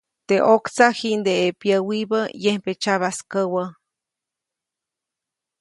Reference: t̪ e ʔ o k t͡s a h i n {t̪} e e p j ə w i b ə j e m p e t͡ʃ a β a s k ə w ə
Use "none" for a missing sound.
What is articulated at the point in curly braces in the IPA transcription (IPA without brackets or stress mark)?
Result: d̪